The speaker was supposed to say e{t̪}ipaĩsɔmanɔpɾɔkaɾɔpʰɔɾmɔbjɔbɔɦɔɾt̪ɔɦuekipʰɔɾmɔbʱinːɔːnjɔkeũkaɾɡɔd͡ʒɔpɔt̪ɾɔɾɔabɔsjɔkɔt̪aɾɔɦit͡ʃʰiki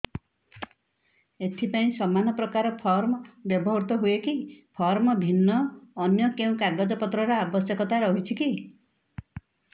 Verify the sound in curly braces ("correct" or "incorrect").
incorrect